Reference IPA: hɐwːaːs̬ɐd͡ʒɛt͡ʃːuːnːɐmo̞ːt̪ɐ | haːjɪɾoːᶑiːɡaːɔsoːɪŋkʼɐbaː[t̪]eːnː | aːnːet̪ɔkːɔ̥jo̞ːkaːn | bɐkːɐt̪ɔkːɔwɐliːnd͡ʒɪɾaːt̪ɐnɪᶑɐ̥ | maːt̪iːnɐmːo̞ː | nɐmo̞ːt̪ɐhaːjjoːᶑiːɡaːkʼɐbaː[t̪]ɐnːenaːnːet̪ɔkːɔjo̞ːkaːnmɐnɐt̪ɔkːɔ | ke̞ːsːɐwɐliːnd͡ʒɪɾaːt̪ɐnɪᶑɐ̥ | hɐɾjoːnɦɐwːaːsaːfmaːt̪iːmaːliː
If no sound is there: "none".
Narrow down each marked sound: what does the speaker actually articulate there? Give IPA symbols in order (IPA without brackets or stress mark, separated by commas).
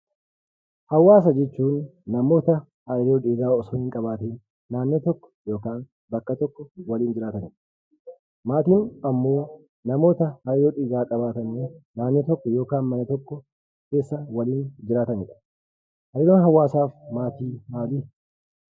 t̪, t̪